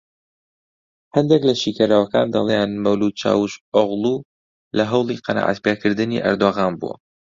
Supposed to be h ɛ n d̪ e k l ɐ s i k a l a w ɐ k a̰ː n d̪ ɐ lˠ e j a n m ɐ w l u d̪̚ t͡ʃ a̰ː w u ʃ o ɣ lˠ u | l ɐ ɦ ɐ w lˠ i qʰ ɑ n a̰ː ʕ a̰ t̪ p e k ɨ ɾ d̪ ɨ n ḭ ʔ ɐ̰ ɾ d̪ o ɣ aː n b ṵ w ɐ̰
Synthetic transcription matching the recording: h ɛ n d̪ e k l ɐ ʃ i k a ɾ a w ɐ k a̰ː n d̪ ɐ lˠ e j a n m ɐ w l u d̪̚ t͡ʃ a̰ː w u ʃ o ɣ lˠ u | l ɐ ɦ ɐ w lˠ i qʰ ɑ n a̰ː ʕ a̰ t̪ p e k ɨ ɾ d̪ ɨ n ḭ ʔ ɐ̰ ɾ d̪ o ɣ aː n b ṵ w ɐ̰